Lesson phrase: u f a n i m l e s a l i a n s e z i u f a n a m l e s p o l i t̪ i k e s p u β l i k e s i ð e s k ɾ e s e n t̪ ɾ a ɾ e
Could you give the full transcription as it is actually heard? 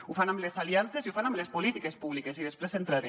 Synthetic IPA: u f a n a m l e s a l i a n s e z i u f a n a m l e s p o l i t̪ i k e s p u β l i k e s i ð e s p ɾ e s e n t̪ ɾ a ɾ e

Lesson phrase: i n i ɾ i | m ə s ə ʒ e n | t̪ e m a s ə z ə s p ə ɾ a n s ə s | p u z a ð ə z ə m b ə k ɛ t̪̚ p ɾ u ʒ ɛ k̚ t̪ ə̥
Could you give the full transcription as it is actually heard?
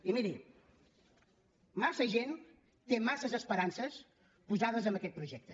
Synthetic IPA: i m i ɾ i | m a s ə ʒ e n | t̪ e m a s ə z ə s p ə ɾ a n s ə s | p u z a ð ə z ə m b ə k ɛ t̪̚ p ɾ u ʒ ɛ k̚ t̪ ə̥

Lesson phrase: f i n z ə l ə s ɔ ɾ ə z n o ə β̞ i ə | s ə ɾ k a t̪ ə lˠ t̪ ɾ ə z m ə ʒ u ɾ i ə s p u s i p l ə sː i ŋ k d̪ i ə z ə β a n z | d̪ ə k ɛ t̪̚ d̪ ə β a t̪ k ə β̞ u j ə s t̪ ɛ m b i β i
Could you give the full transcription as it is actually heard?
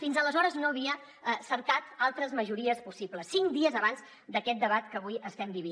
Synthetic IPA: f i n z ə l ə z ɔ ɾ ə z n o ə β̞ i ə | s ə ɾ k a t̪ a lˠ t̪ ɾ ə z m ə ʒ u ɾ i ə s p u s i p l ə sː i ŋ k d̪ i ə z ə β a n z | d̪ ə k ɛ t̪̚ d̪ ə β a t̪ k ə β̞ u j ə s t̪ ɛ m b i β i

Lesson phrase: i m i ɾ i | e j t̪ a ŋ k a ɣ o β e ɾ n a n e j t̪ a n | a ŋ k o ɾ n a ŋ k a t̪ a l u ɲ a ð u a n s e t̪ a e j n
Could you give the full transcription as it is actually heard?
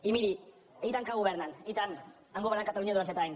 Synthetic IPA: i m i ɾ i | e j t̪ a ŋ k a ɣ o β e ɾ n a n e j t̪ a n | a ŋ ɡ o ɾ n a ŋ k a t̪ a l u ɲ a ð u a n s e t̪ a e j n

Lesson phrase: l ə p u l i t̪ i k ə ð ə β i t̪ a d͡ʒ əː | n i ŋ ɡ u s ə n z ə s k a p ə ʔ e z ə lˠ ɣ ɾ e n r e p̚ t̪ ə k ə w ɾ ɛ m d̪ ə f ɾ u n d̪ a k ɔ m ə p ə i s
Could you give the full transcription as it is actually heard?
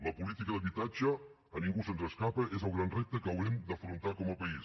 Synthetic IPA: l ə p u l i t̪ i k ə ð ə β i t̪ a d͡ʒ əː | n i ŋ ɡ u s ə n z ə s k a p ə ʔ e z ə lˠ ɣ ɾ a n r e p̚ t̪ ə k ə w ɾ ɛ m d̪ ə f ɾ u n t̪ a k ɔ m ə p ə i s

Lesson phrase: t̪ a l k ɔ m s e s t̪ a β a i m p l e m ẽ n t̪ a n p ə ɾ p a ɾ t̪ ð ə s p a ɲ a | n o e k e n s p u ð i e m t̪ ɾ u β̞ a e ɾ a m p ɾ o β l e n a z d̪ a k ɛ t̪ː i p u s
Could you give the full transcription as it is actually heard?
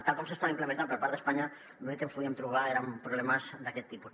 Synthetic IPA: t̪ a l k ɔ m s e s t̪ a β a i m p l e m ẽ n t̪ a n p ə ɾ p a ɾ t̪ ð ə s p a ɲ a | n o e k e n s p u ð i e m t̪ ɾ u β̞ a e ɾ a m p ɾ u β l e m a z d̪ a k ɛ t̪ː i p u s

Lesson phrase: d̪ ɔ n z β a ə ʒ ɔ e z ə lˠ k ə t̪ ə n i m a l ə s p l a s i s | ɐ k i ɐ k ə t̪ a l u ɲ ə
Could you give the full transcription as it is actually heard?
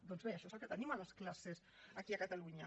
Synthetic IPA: d̪ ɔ n z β e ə ʃ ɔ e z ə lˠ k ə t̪ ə n i m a l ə s k l a s e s | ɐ k i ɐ k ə t̪ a l u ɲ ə

